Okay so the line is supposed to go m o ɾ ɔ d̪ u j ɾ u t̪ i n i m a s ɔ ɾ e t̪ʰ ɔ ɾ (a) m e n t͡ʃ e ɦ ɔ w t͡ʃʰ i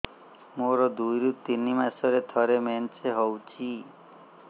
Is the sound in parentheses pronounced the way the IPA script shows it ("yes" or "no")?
no